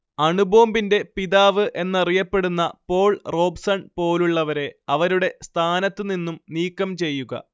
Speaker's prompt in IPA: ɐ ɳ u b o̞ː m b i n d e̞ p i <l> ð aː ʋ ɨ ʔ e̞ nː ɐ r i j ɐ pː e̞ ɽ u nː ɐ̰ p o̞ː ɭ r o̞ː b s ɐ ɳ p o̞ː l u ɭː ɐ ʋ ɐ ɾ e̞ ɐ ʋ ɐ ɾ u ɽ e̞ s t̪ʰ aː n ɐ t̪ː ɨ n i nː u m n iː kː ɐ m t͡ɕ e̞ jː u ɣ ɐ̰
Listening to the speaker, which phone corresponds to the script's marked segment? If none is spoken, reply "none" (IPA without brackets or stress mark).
none